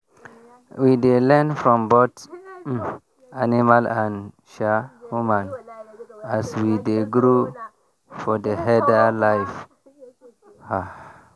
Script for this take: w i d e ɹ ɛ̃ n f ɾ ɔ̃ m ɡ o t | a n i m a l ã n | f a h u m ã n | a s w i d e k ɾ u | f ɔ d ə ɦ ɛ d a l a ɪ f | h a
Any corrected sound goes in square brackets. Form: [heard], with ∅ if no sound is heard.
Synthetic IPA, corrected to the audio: w i d e [l] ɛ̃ n f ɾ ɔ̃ m [b] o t | a n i m a l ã n | [ʃ] a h u m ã n | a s w i d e [ɡ] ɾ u | f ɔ d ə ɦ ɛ d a l a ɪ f | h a